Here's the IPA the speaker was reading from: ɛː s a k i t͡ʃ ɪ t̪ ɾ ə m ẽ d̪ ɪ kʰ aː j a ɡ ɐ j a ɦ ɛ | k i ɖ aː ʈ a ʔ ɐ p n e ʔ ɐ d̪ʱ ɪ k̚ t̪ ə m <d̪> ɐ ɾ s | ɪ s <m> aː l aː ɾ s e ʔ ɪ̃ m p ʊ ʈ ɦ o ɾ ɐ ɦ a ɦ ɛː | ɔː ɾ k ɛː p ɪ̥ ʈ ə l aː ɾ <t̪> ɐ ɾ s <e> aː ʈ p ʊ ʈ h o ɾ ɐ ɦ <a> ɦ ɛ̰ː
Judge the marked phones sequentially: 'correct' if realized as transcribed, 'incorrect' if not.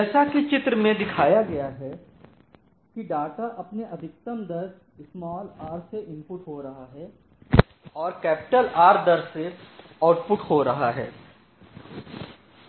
correct, correct, incorrect, correct, correct

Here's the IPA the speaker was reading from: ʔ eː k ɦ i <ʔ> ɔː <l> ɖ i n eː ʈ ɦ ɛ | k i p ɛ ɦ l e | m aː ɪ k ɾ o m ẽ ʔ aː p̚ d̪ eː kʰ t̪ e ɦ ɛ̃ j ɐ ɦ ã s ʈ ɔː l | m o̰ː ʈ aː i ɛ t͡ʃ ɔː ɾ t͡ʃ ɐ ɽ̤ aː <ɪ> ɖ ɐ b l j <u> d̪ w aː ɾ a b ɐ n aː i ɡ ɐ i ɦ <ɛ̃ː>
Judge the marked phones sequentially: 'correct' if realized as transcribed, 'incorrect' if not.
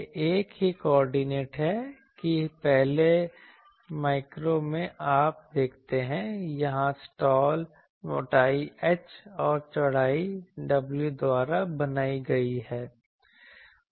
incorrect, incorrect, incorrect, correct, incorrect

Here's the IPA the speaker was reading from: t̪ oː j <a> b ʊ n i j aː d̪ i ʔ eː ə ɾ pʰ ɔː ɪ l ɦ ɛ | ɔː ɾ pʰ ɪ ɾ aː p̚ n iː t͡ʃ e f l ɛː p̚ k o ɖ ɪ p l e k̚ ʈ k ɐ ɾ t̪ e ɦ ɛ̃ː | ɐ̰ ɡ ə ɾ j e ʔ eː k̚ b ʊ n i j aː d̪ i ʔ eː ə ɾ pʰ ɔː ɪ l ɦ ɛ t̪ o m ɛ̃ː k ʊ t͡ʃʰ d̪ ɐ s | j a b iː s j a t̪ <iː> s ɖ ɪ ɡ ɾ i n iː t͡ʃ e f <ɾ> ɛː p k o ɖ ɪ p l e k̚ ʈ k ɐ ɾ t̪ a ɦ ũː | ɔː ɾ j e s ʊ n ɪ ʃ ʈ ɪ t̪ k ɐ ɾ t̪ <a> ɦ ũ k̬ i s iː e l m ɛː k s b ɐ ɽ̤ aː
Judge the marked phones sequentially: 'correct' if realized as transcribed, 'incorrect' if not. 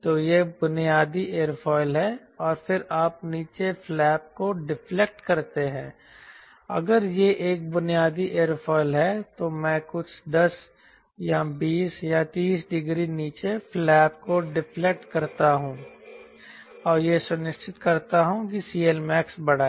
incorrect, correct, incorrect, correct

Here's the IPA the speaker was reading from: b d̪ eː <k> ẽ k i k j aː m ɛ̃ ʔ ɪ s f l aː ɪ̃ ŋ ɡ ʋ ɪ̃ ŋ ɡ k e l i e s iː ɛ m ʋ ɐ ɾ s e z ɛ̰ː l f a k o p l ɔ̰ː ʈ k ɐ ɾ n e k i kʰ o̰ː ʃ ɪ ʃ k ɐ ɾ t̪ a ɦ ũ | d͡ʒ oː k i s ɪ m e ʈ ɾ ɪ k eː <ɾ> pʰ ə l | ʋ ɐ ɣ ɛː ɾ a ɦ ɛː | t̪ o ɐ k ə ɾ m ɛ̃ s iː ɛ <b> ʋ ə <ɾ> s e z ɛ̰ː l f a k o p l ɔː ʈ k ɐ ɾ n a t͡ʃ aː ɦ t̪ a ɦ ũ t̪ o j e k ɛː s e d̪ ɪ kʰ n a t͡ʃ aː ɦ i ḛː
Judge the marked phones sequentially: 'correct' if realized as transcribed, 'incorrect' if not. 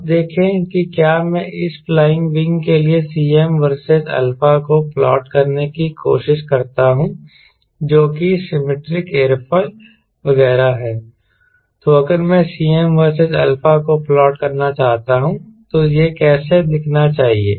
incorrect, correct, incorrect, correct

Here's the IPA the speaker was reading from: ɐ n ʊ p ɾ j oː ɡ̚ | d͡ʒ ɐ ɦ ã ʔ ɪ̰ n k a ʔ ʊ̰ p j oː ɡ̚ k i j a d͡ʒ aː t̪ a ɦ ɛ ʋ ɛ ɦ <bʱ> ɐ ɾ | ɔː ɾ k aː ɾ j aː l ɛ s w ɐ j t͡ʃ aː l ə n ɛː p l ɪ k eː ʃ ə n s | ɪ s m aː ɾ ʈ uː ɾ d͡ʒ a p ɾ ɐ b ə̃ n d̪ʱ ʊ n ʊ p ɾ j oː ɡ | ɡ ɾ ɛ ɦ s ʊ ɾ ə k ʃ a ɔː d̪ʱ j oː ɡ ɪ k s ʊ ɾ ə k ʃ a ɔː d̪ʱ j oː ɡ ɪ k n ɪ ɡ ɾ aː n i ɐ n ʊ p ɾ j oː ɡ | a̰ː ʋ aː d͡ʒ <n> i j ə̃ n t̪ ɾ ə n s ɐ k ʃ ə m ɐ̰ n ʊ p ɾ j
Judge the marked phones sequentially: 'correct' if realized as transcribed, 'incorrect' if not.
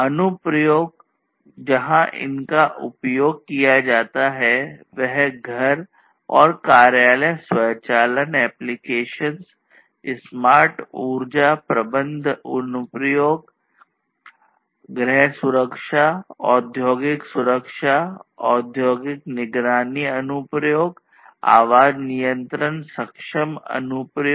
incorrect, correct

